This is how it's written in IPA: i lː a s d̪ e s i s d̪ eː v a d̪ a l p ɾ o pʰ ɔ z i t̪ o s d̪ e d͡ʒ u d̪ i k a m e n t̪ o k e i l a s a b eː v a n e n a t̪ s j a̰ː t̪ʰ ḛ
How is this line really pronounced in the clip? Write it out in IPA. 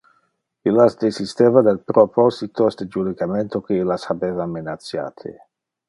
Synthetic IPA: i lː a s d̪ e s i s t̪ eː v a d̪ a l p ɾ o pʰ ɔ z i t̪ o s d̪ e d͡ʒ u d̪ i k a m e n t̪ o k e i l a s a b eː v a m e n a t̪ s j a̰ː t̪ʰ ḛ